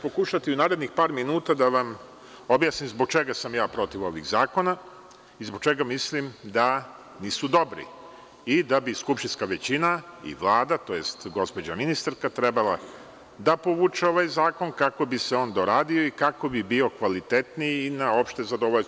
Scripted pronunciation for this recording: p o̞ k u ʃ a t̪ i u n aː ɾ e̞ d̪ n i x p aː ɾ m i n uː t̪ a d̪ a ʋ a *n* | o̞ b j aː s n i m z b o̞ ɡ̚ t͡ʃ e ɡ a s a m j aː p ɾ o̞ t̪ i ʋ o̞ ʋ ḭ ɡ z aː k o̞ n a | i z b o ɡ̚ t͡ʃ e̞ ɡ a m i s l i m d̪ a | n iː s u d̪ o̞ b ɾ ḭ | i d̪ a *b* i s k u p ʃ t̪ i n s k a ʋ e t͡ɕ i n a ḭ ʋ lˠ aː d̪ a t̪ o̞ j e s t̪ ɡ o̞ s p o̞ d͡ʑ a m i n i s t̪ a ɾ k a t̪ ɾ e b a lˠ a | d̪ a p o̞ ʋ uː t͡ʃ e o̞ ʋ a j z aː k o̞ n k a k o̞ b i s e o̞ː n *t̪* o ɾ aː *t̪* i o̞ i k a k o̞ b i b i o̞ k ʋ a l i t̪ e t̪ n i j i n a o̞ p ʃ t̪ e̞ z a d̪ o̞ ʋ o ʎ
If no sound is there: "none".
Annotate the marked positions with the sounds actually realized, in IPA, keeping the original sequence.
m, b, d̪, d̪

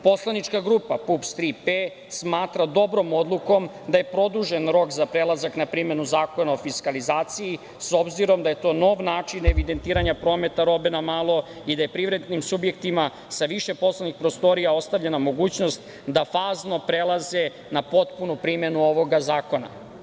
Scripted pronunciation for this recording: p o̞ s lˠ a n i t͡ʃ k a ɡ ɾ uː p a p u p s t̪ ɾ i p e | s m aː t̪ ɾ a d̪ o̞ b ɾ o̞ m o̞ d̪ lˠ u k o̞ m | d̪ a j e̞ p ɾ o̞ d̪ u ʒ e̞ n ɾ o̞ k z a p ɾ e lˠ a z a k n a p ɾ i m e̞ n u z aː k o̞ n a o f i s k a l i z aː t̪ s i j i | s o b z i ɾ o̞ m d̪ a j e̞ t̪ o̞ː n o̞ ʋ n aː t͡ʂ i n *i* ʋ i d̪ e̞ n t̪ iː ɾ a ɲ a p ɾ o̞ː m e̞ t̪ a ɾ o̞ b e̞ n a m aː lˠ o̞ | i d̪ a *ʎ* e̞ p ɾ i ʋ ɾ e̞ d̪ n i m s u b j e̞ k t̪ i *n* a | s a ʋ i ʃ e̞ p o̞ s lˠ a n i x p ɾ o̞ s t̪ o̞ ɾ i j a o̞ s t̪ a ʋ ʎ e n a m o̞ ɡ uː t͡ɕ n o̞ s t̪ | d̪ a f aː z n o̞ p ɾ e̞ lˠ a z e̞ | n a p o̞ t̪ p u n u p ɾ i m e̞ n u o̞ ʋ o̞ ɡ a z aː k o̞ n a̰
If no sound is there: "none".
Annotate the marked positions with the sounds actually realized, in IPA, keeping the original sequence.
e, j, m

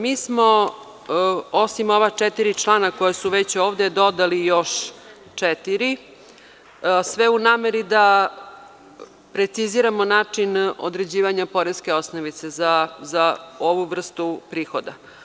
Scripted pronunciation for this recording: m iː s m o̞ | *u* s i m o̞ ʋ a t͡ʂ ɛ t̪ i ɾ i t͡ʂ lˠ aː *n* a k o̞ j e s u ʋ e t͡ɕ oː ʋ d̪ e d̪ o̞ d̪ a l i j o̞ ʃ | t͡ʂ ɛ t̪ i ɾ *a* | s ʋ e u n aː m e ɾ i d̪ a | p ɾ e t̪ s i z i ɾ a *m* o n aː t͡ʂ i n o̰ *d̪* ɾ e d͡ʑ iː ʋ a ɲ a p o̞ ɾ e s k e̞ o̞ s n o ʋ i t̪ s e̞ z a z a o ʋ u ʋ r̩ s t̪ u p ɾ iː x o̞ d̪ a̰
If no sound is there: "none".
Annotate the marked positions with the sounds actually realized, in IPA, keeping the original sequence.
o, n, i, m, d̪

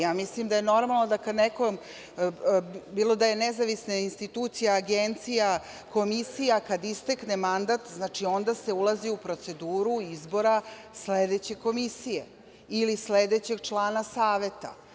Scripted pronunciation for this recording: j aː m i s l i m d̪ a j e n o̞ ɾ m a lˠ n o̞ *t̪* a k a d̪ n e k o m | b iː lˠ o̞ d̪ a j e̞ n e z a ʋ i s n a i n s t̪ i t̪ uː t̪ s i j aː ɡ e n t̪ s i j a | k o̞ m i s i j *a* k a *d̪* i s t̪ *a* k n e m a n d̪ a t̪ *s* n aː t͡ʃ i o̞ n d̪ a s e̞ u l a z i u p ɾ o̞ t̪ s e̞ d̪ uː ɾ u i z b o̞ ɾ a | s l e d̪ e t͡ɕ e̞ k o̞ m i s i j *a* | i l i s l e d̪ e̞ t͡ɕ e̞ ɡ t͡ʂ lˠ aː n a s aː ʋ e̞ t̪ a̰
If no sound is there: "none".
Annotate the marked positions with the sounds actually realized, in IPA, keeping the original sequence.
d̪, a, d̪, e, z, e

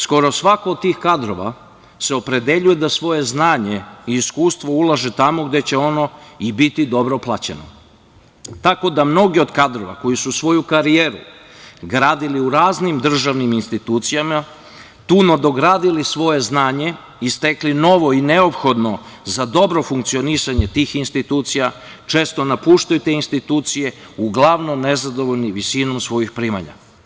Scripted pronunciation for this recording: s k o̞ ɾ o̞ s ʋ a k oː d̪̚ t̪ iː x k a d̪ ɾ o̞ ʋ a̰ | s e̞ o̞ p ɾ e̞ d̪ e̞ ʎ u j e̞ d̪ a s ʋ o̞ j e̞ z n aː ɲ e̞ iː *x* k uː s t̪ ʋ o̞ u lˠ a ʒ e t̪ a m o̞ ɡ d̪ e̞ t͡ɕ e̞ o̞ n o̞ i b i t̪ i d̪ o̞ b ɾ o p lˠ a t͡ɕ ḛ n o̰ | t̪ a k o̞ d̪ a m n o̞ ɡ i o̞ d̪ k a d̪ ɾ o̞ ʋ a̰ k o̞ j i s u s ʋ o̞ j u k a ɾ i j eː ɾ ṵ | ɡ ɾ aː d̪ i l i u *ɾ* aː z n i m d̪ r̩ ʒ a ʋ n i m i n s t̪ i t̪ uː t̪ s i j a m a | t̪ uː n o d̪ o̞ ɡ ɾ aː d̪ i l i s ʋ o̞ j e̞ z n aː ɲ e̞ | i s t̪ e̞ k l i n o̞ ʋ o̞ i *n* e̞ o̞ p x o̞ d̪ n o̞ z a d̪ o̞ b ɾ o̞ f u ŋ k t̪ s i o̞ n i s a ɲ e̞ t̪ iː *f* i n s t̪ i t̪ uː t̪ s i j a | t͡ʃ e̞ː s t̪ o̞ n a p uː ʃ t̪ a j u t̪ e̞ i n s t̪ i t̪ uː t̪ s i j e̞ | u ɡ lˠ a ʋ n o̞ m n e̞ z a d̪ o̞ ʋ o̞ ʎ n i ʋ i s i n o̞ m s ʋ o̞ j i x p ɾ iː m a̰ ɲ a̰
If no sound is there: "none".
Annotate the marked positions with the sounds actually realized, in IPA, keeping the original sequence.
s, ɾ, n, x

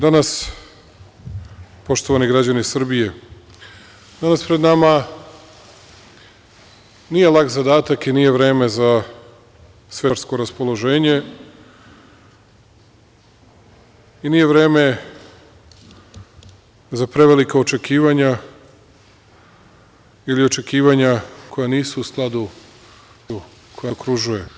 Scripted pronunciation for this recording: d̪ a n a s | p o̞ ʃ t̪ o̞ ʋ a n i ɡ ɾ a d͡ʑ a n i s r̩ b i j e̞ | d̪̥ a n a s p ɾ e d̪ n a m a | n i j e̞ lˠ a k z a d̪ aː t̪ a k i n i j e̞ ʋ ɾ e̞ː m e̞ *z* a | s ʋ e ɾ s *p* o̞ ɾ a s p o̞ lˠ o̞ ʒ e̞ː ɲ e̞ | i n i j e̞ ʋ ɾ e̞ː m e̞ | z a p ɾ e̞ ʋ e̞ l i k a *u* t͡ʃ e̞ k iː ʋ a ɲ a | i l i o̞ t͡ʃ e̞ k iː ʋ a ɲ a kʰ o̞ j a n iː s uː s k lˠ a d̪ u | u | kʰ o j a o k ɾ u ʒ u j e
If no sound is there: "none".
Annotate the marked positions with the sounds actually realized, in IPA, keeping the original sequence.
z, k, o

